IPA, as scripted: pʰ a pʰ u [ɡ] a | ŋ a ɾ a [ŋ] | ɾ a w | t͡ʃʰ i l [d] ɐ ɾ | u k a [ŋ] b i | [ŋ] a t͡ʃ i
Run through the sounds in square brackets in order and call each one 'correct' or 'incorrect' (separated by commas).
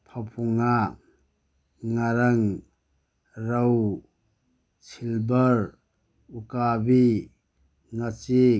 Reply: incorrect, correct, incorrect, incorrect, correct